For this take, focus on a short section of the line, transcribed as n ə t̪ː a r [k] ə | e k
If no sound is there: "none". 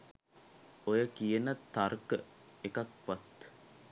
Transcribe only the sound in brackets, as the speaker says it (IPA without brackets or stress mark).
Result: k